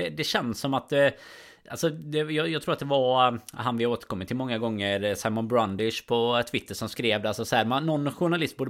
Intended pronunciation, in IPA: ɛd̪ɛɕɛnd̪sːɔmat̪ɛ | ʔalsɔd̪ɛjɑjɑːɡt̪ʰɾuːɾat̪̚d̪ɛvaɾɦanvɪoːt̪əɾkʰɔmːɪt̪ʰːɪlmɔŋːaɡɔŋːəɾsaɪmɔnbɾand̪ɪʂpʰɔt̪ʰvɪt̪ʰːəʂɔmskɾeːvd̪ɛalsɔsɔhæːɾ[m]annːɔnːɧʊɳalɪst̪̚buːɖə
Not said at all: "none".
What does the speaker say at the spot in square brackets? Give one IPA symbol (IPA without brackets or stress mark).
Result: m